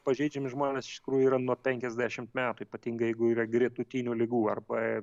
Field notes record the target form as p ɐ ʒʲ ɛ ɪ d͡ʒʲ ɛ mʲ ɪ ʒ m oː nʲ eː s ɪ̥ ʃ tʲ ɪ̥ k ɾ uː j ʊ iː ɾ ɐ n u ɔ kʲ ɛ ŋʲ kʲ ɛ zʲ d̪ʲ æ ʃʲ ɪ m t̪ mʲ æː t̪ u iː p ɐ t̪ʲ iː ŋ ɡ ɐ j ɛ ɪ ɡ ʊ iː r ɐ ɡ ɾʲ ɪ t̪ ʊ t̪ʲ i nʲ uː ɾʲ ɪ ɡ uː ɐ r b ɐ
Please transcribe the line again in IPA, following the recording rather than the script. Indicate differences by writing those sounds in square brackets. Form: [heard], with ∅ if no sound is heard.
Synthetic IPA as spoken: p ɐ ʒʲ ɛ ɪ d͡ʒʲ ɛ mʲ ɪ ʒ m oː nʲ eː s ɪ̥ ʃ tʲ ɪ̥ k ɾ uː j ʊ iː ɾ ɐ n u ɔ [pʲ] ɛ ŋʲ kʲ ɛ zʲ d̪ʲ æ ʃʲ ɪ m t̪ mʲ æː t̪ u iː p ɐ t̪ʲ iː ŋ ɡ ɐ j ɛ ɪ ɡ ʊ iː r ɐ ɡ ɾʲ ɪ t̪ ʊ t̪ʲ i nʲ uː [lʲ] ɪ ɡ uː ɐ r b ɐ

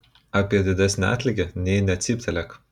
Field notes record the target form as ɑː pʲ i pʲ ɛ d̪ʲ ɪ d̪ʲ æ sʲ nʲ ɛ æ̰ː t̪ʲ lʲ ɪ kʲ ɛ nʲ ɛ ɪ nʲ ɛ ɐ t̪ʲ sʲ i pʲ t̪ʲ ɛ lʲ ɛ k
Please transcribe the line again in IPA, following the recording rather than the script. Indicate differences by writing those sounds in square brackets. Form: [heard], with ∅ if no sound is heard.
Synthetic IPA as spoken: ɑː pʲ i [∅] ɛ d̪ʲ ɪ d̪ʲ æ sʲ nʲ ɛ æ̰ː t̪ʲ lʲ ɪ [ɡʲ] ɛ nʲ ɛ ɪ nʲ ɛ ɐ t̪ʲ sʲ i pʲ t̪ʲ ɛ lʲ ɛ k

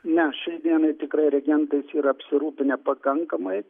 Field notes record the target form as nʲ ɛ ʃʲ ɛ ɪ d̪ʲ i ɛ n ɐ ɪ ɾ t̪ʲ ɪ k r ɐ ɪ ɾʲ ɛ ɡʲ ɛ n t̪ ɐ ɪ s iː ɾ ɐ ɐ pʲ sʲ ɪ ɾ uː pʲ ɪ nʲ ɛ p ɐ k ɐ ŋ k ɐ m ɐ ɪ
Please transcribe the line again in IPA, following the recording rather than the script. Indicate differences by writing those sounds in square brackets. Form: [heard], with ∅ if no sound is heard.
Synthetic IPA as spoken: nʲ ɛ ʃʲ ɛ ɪ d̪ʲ i ɛ n ɐ ɪ [∅] t̪ʲ ɪ k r ɐ ɪ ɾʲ ɛ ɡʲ ɛ n t̪ ɐ ɪ s iː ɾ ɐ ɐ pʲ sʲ ɪ ɾ uː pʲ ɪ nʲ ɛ p ɐ k ɐ ŋ k ɐ m ɐ ɪ

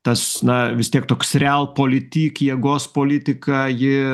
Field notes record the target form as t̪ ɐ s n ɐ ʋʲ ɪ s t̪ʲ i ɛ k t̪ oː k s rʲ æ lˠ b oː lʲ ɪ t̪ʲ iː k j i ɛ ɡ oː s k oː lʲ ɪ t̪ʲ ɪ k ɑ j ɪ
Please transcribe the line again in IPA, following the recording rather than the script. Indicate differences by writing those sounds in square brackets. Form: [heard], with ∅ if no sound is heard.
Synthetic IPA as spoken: t̪ ɐ s n ɐ ʋʲ ɪ s t̪ʲ i ɛ k t̪ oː k s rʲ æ lˠ [p] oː lʲ ɪ t̪ʲ iː k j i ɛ ɡ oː s [p] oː lʲ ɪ t̪ʲ ɪ k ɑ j ɪ

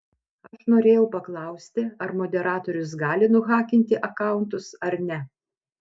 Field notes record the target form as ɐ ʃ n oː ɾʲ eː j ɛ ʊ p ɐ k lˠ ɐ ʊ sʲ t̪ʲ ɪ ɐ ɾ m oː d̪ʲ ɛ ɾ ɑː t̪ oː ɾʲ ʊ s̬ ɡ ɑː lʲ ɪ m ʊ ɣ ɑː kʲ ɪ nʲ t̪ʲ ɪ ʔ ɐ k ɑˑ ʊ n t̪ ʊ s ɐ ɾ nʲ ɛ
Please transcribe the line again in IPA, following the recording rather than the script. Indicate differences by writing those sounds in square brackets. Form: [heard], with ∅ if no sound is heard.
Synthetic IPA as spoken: ɐ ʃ n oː ɾʲ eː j ɛ ʊ p ɐ k lˠ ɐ ʊ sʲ t̪ʲ ɪ ɐ ɾ m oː d̪ʲ ɛ ɾ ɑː t̪ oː ɾʲ ʊ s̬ ɡ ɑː lʲ ɪ [n] ʊ ɣ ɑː kʲ ɪ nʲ t̪ʲ ɪ ʔ ɐ k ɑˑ ʊ n t̪ ʊ s ɐ ɾ nʲ ɛ

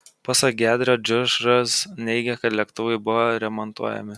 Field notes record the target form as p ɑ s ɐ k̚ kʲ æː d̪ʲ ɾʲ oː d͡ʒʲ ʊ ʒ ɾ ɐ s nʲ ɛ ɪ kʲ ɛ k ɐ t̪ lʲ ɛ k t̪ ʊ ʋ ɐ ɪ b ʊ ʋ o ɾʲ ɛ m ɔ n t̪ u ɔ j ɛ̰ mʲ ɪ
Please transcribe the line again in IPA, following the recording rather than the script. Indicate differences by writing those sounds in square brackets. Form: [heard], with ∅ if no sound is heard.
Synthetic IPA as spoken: p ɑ s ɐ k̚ [ɡʲ] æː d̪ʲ ɾʲ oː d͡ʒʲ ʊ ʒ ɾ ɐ s nʲ ɛ ɪ [ɡʲ] ɛ k ɐ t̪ lʲ ɛ k t̪ ʊ ʋ ɐ ɪ b ʊ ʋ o ɾʲ ɛ m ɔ n t̪ u ɔ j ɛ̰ mʲ ɪ

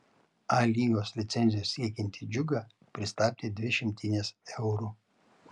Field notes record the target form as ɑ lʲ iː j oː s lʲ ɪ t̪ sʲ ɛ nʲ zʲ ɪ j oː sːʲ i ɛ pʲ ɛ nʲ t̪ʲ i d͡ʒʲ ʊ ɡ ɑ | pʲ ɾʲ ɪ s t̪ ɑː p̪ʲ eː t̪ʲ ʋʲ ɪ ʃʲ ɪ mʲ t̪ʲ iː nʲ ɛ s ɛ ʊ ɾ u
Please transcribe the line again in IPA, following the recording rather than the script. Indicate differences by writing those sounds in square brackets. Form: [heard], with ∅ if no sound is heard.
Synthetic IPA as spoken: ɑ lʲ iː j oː s lʲ ɪ t̪ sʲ ɛ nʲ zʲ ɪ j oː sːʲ i ɛ [kʲ] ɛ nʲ t̪ʲ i d͡ʒʲ ʊ ɡ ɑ | pʲ ɾʲ ɪ s t̪ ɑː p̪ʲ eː [d̪ʲ] ʋʲ ɪ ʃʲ ɪ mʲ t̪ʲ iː nʲ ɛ s ɛ ʊ ɾ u

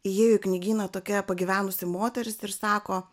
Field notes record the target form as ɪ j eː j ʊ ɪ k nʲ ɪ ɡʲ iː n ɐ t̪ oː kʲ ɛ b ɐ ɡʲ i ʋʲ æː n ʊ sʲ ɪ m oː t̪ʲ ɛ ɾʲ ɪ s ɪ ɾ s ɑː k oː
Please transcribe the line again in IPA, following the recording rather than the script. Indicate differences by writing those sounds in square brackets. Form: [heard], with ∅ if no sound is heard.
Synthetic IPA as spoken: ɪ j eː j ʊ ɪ k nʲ ɪ ɡʲ iː n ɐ t̪ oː kʲ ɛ [p] ɐ ɡʲ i ʋʲ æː n ʊ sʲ ɪ m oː t̪ʲ ɛ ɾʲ ɪ s ɪ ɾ s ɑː k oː

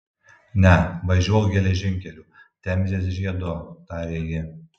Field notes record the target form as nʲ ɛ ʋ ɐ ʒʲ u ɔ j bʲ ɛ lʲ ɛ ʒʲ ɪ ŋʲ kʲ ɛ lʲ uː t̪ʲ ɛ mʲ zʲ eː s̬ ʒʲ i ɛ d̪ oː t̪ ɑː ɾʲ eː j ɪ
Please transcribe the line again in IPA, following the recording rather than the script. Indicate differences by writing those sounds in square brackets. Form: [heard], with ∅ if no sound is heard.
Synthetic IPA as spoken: nʲ ɛ ʋ ɐ ʒʲ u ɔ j [ɡʲ] ɛ lʲ ɛ ʒʲ ɪ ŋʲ kʲ ɛ lʲ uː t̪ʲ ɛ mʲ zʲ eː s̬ ʒʲ i ɛ d̪ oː t̪ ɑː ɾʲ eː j ɪ

